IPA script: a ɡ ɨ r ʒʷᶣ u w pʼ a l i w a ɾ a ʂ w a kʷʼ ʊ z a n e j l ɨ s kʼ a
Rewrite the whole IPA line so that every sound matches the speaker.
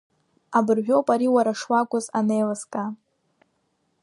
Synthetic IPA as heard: a b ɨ r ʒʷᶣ o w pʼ a ɾ i w a ɾ a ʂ w a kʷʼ ʊ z a n e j l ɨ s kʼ a